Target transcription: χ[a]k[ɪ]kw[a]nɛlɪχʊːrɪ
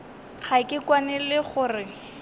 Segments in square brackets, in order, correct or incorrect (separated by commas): correct, correct, correct